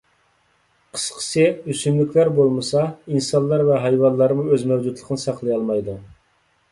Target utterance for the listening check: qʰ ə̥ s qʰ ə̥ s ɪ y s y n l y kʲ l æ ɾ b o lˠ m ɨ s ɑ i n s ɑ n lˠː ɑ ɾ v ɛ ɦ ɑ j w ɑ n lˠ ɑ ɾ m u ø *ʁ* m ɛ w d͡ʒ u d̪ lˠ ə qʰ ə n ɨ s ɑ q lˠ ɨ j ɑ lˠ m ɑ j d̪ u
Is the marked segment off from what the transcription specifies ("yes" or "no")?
yes